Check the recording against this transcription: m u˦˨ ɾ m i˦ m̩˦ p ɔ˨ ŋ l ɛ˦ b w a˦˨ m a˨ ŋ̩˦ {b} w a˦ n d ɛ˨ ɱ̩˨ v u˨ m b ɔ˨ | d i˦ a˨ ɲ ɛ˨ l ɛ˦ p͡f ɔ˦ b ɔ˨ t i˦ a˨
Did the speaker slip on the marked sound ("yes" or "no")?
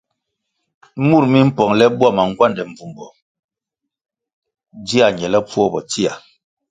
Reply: yes